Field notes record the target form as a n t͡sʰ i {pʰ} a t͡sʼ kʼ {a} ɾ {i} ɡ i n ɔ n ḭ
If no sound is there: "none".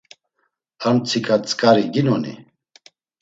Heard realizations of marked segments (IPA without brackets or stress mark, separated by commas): kʰ, a, i